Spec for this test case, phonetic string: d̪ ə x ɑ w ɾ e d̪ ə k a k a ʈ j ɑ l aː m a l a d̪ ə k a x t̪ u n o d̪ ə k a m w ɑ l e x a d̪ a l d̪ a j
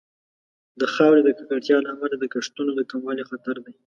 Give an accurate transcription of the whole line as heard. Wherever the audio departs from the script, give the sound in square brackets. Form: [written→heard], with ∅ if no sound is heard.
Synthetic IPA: d̪ ə x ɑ w ɾ e d̪ ə k a k a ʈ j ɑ l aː m a l a d̪ ə k a [x→ʂ] t̪ u n o d̪ ə k a m w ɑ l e x a [d̪→t̪] a [l→ɾ] d̪ a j